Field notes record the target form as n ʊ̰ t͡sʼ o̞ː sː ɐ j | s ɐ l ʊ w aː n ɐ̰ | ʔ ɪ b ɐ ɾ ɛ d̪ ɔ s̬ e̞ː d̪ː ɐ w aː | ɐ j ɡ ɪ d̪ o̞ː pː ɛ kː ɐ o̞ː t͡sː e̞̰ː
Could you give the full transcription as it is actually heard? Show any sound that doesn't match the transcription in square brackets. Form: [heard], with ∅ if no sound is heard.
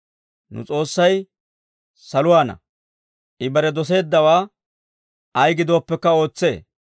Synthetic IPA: n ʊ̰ t͡sʼ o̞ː sː ɐ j | s ɐ l ʊ w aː n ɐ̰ | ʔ ɪ b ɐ ɾ ɛ d̪ ɔ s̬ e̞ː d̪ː ɐ w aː | ɐ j ɡ ɪ d̪ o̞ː pː ɛ kː ɐ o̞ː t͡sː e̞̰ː